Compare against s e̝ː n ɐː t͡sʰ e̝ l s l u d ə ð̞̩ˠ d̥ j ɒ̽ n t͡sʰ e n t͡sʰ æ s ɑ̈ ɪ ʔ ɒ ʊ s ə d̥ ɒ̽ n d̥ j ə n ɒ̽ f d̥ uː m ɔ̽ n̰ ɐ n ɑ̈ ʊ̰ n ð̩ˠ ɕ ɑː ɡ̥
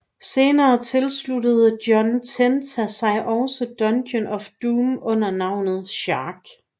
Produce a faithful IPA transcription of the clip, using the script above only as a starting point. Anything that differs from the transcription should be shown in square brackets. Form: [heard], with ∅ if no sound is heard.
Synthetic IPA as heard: s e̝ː n ɐː t͡sʰ e̝ l s l u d ə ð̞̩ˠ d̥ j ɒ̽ n t͡sʰ e n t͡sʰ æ s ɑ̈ ɪ ʔ ɒ ʊ s ə d̥ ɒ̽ n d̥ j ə n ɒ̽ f d̥ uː m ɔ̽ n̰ ɐ n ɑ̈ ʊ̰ n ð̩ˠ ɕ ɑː ɡ̥